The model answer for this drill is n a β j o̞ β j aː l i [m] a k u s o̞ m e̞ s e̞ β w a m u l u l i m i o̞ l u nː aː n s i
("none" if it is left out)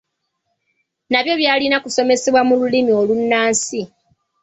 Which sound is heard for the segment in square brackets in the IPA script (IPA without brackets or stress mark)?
n